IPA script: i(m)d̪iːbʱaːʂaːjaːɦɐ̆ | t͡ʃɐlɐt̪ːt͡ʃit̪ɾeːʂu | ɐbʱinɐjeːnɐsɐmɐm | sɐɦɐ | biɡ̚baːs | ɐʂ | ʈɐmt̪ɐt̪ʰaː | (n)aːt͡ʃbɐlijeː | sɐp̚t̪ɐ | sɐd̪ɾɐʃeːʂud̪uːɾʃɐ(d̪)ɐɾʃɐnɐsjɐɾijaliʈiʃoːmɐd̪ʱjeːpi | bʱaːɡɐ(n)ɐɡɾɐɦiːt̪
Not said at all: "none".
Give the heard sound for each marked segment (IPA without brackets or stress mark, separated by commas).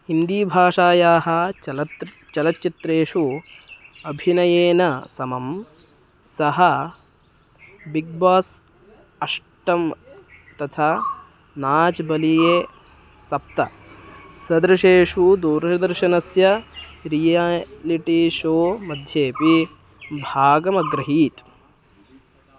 n, n, d̪, m